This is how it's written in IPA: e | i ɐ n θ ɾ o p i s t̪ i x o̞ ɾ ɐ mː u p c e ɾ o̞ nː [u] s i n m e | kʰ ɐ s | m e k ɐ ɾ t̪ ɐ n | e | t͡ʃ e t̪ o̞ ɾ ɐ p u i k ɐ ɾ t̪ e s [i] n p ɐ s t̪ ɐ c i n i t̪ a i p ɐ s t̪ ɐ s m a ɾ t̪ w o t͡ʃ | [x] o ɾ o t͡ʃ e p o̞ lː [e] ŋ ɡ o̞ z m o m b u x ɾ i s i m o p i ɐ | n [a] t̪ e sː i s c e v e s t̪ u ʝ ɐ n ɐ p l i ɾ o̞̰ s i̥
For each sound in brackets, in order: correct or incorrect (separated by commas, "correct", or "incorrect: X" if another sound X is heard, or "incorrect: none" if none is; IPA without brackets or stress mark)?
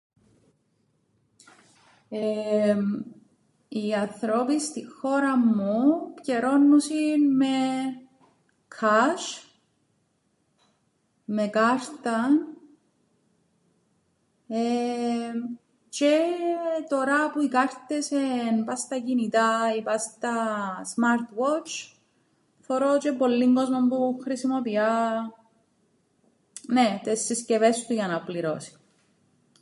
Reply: correct, incorrect: e, incorrect: f, incorrect: i, incorrect: e